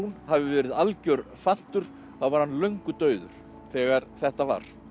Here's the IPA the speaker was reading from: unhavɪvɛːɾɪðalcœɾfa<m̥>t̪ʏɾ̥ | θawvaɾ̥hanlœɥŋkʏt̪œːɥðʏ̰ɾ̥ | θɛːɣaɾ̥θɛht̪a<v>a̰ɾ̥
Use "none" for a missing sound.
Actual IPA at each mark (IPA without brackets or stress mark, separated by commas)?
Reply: n̥, v